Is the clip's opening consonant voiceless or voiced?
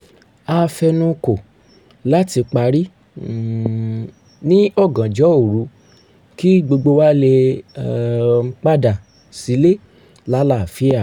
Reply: voiceless